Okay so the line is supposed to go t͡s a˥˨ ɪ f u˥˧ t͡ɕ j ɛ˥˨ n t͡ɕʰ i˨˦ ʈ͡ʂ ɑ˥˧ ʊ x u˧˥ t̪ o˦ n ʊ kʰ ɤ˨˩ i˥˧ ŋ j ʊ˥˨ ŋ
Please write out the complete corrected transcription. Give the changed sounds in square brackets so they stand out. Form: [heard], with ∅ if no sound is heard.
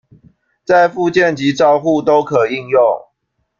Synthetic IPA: t͡s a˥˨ ɪ f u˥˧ t͡ɕ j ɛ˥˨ n [t͡ɕ] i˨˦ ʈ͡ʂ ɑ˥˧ ʊ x [u˥˨] t̪ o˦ [∅] ʊ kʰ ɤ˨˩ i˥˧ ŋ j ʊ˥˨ ŋ